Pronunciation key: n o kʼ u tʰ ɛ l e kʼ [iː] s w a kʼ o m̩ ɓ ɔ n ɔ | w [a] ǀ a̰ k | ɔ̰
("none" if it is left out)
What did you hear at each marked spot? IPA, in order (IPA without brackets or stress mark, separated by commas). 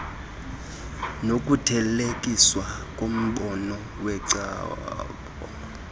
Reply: i, ɛ